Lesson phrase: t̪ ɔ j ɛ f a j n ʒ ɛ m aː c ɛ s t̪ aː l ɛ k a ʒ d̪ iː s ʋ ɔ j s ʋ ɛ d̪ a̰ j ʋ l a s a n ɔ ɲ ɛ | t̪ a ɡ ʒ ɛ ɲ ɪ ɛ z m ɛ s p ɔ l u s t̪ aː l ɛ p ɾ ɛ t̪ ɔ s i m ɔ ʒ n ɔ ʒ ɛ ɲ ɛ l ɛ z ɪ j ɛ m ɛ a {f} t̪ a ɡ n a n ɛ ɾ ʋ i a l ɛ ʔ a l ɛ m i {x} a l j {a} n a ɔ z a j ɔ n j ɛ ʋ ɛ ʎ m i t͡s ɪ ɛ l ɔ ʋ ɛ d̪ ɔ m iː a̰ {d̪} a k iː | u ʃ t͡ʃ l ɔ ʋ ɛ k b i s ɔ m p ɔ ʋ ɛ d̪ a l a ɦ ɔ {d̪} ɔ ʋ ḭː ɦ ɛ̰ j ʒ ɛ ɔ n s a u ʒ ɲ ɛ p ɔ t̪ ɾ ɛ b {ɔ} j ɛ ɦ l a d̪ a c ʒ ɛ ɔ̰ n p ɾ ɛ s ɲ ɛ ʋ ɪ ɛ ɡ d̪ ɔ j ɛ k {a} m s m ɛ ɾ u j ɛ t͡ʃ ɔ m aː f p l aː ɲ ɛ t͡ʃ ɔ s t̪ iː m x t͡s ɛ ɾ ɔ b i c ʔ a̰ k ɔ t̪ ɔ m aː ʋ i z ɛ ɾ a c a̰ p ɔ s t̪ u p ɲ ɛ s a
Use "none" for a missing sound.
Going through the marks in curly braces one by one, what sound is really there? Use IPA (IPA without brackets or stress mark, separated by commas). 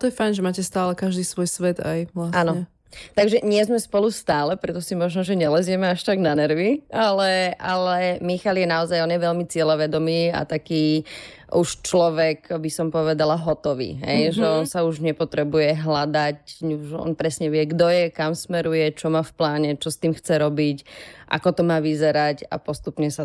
ʃ, x, ɛ, t̪, t̪, u, a